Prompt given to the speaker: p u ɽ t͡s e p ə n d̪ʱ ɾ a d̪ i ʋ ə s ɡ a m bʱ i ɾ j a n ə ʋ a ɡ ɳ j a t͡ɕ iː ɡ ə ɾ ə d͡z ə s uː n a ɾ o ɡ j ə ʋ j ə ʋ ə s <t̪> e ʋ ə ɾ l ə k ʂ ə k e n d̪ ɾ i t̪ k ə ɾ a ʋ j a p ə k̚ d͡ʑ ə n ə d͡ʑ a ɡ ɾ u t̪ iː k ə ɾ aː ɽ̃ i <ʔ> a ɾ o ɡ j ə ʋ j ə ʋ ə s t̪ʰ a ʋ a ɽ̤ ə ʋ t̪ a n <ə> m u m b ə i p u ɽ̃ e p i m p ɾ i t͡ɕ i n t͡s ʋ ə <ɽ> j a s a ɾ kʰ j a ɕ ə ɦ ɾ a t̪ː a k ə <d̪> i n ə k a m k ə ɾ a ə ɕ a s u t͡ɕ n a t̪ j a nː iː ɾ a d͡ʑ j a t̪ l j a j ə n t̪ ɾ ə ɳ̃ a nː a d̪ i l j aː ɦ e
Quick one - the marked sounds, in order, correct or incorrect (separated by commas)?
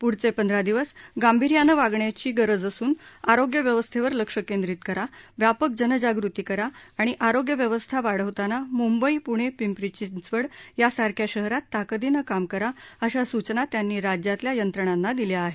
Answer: incorrect, correct, incorrect, correct, correct